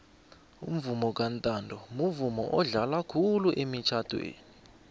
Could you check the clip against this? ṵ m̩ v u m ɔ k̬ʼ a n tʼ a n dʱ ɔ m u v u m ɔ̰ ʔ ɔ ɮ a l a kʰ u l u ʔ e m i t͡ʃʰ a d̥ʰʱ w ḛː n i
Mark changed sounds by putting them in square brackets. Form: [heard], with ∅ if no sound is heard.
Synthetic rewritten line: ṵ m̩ v u m ɔ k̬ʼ a n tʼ a n dʱ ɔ m u v u m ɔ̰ ʔ ɔ ɮ a l a kʰ u l u ʔ e m i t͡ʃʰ a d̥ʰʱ w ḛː n i